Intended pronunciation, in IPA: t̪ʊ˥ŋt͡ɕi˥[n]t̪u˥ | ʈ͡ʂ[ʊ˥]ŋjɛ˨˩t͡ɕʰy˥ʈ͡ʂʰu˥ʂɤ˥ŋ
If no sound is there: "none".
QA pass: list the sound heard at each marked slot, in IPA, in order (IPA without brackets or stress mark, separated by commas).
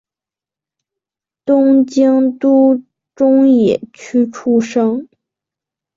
ŋ, ʊ˥